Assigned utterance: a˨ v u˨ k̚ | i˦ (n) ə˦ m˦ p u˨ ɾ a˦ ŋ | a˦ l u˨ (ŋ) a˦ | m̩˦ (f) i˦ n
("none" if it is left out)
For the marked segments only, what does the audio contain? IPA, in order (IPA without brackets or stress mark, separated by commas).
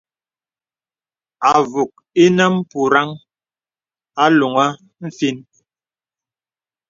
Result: n, ŋ, f